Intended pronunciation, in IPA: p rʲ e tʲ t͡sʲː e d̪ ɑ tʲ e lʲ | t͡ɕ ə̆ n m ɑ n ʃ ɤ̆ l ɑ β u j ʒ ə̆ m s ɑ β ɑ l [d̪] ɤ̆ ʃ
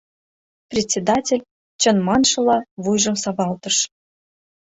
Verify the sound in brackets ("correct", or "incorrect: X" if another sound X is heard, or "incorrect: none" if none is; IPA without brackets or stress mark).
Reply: incorrect: t̪